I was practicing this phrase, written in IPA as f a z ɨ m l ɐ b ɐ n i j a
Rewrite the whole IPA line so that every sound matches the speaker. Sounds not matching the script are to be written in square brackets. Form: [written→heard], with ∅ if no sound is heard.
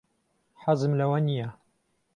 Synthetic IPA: [f→ħ] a z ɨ m l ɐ [b→w] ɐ n i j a